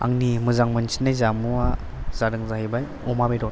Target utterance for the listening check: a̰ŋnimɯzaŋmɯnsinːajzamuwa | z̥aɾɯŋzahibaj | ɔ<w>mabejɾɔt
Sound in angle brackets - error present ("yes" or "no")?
yes